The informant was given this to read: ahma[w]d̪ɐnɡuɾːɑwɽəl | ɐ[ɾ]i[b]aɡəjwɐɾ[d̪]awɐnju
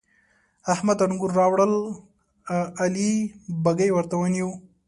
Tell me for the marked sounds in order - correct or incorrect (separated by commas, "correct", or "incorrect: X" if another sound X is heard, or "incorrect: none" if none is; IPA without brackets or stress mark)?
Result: incorrect: none, incorrect: l, correct, incorrect: t̪